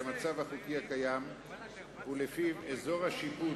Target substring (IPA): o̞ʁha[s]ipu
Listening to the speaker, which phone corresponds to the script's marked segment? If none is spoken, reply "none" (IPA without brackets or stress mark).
ʃ